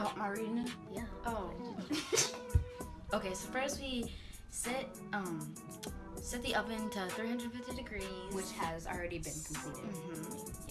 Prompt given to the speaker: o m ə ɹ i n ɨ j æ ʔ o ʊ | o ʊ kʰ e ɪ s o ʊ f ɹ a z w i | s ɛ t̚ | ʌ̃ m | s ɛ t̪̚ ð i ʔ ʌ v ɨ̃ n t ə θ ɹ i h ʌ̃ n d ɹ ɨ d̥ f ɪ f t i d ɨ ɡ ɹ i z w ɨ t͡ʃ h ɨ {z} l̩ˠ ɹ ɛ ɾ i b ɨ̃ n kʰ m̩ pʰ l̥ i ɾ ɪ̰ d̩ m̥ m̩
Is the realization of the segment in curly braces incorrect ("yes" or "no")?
no